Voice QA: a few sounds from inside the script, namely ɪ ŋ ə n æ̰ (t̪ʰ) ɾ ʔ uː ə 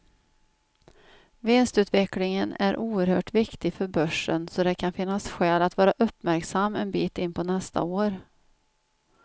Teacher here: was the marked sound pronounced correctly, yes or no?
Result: no